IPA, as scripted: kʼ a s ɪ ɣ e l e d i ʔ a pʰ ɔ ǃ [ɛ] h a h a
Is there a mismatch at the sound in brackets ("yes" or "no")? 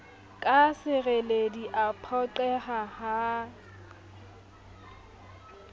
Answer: no